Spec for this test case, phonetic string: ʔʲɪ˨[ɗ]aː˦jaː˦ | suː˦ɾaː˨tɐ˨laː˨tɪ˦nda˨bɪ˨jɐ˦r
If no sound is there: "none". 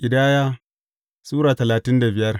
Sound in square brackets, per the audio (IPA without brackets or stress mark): d